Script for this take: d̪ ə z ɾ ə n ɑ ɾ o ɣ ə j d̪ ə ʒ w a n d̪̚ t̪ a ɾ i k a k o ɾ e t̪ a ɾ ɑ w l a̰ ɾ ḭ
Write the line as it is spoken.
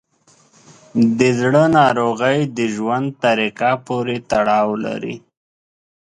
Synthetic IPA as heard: d̪ ə z ɽ ə n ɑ ɾ o ɣ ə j d̪ ə ʒ w a n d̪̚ t̪ a ɾ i k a p o ɾ e t̪ a ɽ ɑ w l a̰ ɾ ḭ